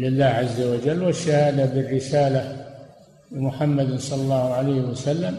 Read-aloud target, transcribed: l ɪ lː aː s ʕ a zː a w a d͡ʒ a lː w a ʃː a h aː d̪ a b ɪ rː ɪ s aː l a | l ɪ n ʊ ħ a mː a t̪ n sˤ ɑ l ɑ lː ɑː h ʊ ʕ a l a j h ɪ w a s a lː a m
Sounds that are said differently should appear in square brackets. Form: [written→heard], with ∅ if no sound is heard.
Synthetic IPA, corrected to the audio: l ɪ lː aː [s→h] ʕ a zː a w a d͡ʒ a lː w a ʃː a h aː d̪ a b ɪ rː ɪ s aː l a | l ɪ [n→m] ʊ ħ a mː a [t̪→d̪] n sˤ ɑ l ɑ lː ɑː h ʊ ʕ a l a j h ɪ w a s a lː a m